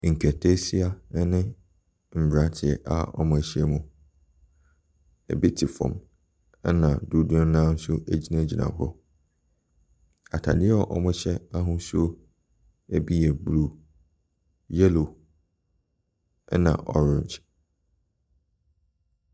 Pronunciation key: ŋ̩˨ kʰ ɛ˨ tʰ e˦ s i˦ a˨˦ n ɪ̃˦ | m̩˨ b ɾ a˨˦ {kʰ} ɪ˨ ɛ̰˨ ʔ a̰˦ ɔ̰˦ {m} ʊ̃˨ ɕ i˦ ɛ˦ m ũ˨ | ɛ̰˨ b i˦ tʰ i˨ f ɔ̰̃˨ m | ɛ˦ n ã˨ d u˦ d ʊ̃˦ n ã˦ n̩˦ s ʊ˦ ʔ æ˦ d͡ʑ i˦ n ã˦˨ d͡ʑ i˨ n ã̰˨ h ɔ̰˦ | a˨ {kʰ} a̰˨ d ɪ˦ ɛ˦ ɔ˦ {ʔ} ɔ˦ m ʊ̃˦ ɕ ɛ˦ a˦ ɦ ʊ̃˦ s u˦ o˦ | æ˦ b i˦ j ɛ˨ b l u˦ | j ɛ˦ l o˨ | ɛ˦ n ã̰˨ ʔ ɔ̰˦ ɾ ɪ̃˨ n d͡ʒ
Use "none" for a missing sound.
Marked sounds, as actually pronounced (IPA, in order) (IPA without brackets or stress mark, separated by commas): tʰ, m, tʰ, ʔ